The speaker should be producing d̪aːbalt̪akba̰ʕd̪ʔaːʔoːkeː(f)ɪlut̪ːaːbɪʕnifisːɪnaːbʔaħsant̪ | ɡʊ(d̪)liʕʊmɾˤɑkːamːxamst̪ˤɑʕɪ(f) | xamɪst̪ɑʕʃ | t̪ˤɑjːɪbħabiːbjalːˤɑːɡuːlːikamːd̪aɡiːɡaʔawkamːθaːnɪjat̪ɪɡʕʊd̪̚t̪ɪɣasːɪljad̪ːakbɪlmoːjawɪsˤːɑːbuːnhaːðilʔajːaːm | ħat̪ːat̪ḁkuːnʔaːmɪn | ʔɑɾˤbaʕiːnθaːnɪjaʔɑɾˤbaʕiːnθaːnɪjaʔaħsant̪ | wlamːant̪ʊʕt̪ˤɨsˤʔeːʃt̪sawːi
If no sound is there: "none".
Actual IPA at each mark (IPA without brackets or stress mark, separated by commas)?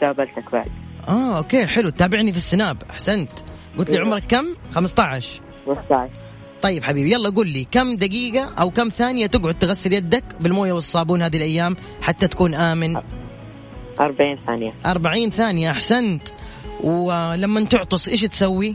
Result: ħ, t̪, ʃ